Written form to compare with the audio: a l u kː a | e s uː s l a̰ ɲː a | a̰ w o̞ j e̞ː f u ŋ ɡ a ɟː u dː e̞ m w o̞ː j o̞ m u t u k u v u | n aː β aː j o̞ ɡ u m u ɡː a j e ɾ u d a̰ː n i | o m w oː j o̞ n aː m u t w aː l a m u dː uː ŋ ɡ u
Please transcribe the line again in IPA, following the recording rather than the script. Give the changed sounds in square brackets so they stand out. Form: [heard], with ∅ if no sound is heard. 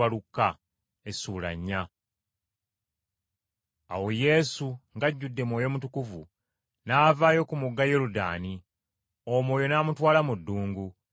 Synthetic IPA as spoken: a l u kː a | e s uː [∅] l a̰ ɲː a | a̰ w o̞ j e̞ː [s] u ŋ ɡ a ɟː u dː e̞ m w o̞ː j o̞ m u t u k u v u | n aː [v] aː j o̞ [k] u m u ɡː a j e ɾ u d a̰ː n i | o m w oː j o̞ n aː m u t w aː l a m u dː uː ŋ ɡ u